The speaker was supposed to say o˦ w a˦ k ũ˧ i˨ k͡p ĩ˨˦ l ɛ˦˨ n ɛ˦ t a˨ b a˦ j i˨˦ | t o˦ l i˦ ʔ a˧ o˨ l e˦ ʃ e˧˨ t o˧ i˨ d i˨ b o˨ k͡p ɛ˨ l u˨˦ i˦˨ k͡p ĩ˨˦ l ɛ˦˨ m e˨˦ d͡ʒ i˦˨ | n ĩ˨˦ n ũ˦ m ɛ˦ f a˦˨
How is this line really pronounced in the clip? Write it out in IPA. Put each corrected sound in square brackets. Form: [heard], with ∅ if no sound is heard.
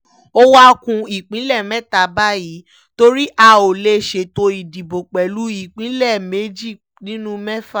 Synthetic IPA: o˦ w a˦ k ũ˧ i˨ k͡p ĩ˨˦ l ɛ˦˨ [m] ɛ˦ t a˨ b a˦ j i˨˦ | t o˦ [ɾ] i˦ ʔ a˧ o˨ l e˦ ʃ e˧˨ t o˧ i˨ d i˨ b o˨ k͡p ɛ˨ l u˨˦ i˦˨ k͡p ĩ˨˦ l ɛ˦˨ m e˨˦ d͡ʒ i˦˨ | n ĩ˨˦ n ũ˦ m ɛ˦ f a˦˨